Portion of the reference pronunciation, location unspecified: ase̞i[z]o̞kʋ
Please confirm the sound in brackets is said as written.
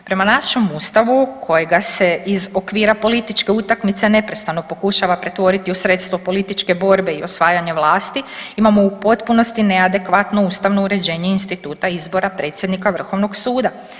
yes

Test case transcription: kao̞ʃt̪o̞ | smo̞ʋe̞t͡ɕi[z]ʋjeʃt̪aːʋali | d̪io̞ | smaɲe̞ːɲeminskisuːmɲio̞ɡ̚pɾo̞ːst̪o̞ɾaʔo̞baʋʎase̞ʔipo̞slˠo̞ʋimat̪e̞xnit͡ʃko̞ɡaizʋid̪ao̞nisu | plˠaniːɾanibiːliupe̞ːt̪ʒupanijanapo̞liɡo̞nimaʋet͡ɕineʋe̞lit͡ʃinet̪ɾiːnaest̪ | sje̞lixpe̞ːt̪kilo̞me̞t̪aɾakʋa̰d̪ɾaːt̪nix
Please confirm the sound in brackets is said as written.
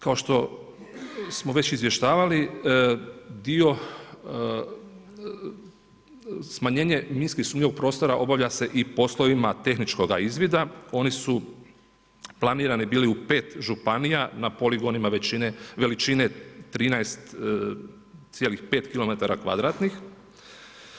yes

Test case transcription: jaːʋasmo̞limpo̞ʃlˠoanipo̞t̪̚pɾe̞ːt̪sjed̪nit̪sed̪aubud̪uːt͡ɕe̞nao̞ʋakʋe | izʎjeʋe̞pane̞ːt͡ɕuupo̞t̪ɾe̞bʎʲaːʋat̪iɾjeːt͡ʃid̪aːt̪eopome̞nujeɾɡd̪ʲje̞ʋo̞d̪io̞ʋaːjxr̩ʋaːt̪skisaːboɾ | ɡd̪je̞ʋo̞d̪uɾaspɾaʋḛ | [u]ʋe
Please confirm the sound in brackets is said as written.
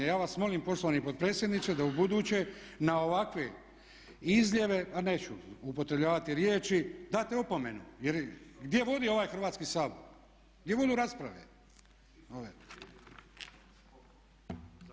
no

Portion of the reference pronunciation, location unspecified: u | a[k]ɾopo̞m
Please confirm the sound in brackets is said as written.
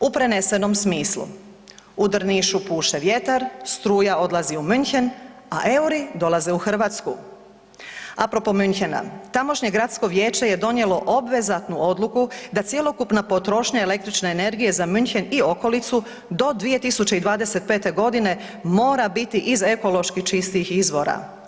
no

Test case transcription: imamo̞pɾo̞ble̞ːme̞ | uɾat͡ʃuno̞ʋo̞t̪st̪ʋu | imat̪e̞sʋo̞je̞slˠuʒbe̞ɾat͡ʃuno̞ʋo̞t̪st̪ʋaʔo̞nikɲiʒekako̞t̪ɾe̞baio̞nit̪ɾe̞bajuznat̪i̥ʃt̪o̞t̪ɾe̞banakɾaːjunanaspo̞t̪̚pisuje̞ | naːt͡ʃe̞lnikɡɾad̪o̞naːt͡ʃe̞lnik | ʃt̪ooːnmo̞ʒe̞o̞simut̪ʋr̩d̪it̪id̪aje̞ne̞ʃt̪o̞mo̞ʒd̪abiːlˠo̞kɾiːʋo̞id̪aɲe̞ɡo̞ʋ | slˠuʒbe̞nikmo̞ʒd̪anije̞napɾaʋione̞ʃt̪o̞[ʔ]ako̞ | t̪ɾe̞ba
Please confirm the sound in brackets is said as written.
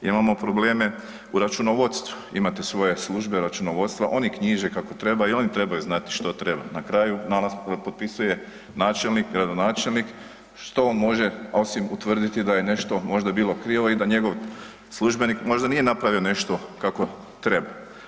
no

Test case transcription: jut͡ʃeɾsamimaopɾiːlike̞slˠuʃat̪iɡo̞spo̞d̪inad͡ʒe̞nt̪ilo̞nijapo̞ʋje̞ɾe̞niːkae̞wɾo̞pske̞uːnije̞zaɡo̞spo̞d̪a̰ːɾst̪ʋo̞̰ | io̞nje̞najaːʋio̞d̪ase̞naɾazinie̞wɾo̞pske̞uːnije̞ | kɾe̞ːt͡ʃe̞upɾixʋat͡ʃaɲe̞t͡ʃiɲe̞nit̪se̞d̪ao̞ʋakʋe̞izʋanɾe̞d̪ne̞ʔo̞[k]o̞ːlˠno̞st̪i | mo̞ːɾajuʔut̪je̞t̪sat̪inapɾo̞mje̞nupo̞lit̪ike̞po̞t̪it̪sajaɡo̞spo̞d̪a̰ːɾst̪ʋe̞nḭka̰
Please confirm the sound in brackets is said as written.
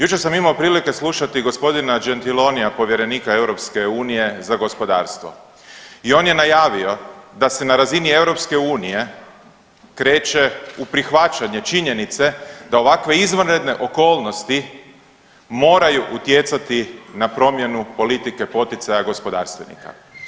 yes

